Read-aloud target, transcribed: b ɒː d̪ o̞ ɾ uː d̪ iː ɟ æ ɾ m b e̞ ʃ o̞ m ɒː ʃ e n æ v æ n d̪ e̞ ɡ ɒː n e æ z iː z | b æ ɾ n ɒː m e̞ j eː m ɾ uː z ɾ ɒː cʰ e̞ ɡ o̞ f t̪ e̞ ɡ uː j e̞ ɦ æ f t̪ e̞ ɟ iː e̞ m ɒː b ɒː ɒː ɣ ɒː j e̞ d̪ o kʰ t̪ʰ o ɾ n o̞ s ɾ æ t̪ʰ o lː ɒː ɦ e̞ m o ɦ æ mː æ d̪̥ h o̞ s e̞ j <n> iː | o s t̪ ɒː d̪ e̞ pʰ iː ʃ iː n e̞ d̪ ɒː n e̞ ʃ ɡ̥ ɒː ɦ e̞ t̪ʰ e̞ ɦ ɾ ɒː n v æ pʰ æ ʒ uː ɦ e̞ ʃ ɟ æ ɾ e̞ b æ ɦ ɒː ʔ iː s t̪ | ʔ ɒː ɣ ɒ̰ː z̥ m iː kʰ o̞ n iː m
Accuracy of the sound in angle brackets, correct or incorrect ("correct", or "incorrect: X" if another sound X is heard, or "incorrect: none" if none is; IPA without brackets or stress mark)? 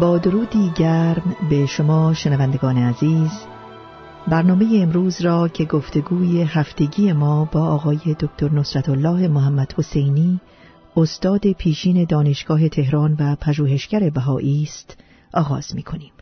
correct